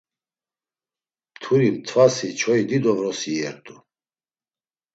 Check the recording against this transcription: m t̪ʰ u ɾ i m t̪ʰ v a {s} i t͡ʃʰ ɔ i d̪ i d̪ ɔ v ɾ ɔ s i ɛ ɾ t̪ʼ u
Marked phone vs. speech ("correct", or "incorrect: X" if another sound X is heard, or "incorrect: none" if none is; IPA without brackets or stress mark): correct